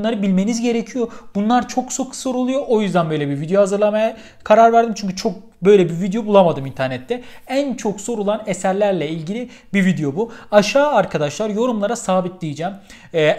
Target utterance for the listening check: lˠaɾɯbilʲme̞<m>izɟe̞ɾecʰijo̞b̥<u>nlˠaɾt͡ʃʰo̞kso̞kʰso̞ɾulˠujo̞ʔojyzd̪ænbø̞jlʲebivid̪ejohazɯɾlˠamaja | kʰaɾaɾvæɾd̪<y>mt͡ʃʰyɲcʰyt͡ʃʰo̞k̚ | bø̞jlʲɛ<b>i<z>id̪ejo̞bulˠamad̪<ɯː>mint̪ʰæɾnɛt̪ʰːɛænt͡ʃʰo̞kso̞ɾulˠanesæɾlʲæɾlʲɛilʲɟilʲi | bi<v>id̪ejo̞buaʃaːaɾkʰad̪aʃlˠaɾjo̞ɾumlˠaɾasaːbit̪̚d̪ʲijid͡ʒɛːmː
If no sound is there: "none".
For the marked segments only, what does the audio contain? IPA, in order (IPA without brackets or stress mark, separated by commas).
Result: n, u, i, b, v, ɯ, v